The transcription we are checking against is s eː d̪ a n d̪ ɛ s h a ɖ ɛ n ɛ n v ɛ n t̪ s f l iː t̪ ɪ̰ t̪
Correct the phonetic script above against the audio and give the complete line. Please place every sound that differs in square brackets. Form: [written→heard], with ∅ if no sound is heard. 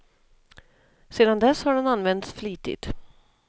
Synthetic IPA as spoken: s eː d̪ a n d̪ ɛ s h a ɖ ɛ n [ɛ→a] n v ɛ n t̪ s f l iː t̪ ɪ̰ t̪